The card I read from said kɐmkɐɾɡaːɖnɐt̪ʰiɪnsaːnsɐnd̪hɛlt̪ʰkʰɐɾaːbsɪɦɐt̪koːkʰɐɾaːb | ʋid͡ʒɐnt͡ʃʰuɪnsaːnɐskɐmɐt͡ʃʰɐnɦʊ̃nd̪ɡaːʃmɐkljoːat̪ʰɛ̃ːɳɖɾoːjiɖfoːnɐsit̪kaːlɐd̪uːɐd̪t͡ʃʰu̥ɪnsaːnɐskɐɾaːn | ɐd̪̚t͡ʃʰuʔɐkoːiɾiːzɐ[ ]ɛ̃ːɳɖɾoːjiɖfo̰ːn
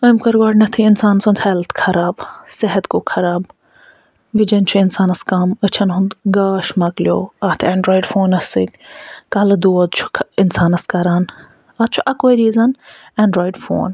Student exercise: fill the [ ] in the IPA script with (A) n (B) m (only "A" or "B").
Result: A